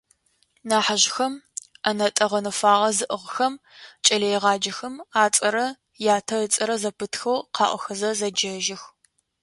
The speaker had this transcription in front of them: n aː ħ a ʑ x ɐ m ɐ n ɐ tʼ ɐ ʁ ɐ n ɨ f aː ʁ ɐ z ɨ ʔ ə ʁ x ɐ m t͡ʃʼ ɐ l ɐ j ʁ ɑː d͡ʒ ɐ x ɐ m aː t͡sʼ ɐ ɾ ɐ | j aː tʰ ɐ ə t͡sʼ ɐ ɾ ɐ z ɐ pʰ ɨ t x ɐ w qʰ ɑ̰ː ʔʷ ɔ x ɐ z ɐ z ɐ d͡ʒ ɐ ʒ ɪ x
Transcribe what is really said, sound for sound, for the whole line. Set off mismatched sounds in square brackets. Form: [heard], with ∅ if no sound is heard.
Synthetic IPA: n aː ħ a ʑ x ɐ m ɐ n ɐ tʼ ɐ ʁ ɐ n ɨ f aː ʁ ɐ z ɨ ʔ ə ʁ x ɐ m t͡ʃʼ ɐ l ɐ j ʁ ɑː d͡ʒ ɐ x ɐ m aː t͡sʼ ɐ ɾ ɐ | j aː tʰ ɐ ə t͡sʼ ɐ ɾ ɐ z ɐ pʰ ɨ t x ɐ w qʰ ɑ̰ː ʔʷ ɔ x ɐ z ɐ z ɐ d͡ʒ ɐ ʒ ɪ x